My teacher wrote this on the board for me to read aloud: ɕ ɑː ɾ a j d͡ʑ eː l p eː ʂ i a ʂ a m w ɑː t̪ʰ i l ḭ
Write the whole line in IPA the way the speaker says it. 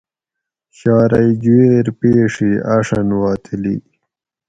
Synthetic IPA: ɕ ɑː ɾ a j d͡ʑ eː ɾ p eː ʂ i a ʂ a n w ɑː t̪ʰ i l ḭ

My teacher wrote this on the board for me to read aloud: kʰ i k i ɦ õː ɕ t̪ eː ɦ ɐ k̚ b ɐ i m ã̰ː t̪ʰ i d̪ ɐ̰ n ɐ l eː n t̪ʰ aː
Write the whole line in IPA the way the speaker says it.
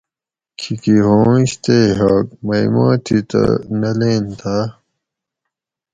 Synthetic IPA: kʰ i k i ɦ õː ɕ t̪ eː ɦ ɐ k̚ m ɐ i m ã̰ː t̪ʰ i t̪ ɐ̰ n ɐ l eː n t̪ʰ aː

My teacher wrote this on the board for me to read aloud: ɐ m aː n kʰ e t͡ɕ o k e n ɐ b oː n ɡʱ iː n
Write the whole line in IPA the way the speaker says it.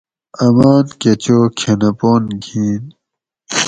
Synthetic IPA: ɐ m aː n k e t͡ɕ o kʰ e n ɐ p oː n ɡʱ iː n

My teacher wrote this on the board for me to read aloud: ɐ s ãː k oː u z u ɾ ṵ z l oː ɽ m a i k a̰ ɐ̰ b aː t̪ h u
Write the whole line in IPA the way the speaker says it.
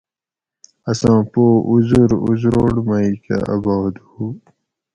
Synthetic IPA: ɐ s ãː p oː u z u ɾ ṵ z ɾ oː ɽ m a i k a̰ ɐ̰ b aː d̪ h u

